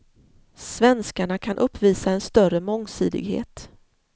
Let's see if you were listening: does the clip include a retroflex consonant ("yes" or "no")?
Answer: yes